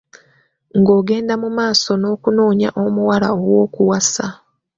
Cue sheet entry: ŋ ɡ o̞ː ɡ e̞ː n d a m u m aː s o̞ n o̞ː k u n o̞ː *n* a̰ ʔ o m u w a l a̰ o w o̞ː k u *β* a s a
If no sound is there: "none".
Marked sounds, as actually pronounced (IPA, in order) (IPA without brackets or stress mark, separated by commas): ɲ, w